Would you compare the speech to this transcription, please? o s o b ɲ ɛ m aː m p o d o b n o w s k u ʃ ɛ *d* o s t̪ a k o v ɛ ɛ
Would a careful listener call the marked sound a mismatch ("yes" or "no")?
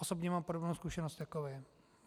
yes